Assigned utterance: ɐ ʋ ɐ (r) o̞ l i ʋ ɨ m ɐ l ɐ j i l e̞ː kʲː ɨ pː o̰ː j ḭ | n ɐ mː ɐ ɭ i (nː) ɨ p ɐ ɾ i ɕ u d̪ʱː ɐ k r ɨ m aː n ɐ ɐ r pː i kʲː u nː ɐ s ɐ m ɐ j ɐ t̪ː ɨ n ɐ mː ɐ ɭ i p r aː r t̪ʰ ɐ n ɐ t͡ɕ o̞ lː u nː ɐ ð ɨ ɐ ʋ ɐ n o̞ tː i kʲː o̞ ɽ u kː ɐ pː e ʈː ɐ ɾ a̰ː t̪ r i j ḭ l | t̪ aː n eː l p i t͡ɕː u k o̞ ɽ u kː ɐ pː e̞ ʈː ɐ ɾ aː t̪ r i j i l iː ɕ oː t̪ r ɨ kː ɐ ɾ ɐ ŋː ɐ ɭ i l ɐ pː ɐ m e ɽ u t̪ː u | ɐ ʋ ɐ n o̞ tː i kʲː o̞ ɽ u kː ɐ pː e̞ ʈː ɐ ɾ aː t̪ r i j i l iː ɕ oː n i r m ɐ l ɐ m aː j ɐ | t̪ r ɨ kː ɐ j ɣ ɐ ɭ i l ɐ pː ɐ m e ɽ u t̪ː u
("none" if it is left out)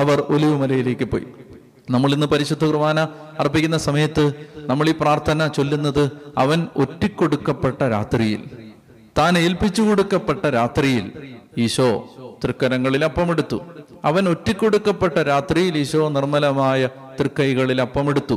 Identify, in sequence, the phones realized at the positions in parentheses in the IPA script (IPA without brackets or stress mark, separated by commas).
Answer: r, nː